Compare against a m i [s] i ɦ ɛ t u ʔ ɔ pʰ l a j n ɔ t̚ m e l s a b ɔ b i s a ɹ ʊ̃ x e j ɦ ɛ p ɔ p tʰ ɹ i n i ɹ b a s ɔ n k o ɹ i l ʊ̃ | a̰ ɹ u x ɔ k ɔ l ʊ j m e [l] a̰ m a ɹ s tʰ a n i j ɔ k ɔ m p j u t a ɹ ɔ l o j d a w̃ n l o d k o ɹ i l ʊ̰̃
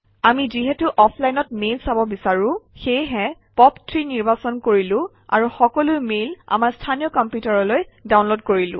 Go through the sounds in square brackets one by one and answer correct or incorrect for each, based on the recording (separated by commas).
incorrect, correct